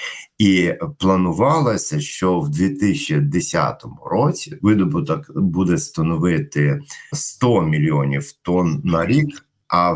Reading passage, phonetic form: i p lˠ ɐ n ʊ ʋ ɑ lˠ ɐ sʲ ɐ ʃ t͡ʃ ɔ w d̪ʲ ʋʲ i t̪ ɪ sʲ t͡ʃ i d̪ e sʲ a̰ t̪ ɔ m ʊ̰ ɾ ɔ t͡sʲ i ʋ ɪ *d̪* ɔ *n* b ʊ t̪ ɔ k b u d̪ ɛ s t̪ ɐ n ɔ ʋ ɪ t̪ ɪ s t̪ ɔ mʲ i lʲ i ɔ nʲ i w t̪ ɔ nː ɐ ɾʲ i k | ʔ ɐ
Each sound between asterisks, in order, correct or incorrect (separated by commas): correct, incorrect